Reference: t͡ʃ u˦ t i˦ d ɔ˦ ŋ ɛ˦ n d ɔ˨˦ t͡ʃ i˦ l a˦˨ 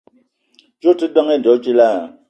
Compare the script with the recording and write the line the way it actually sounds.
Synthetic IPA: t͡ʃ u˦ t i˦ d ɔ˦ ŋ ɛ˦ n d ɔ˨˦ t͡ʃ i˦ l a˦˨

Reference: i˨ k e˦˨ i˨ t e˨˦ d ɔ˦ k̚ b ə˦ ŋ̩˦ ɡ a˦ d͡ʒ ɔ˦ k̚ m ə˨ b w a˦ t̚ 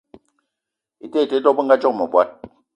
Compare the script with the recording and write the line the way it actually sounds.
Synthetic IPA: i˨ t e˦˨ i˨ t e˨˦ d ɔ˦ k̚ b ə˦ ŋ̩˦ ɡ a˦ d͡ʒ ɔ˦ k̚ m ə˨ b w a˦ t̚

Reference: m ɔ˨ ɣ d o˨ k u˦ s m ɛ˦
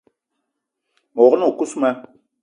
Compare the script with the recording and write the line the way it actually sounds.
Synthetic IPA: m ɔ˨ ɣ n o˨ k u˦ s m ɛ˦

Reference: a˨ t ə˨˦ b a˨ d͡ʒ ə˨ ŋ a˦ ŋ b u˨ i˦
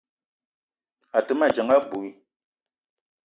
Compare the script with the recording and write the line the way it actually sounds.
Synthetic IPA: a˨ t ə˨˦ m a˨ d͡ʒ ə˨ ŋ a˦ b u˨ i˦

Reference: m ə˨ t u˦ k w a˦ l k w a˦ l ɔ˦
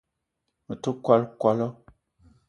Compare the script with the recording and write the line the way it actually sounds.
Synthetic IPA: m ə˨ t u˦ k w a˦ l k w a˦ l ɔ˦

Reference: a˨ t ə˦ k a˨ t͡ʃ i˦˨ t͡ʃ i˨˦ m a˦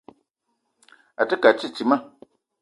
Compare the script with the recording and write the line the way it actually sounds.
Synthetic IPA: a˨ t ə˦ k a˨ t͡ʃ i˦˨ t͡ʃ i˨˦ m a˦

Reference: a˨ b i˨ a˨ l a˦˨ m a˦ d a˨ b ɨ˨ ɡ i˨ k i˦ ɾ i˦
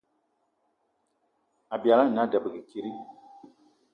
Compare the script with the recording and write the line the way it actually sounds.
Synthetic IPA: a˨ b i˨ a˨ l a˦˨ n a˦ d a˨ b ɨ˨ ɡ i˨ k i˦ ɾ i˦

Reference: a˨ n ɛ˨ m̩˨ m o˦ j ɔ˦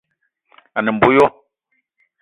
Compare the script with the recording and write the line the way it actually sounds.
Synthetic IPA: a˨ n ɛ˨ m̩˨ b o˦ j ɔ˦

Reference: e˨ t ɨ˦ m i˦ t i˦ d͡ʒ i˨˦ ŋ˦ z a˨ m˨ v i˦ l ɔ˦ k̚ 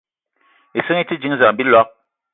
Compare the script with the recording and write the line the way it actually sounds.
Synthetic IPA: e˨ s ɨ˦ ŋ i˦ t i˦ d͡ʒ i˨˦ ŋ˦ z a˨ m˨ b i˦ l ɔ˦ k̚

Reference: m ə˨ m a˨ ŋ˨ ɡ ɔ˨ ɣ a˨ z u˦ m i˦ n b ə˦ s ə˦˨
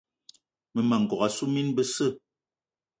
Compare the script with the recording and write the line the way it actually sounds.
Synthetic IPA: m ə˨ m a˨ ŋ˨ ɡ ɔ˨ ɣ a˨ s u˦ m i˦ n b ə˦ s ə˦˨

